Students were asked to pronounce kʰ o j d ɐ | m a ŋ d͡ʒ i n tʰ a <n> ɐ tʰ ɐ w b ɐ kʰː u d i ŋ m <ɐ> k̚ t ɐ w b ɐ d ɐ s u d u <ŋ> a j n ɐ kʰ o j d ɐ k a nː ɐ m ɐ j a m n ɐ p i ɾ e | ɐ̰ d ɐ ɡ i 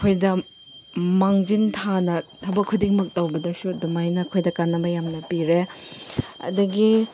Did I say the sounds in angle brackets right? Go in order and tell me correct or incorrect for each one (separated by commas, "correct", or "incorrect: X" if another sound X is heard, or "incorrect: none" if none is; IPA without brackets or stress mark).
correct, correct, incorrect: m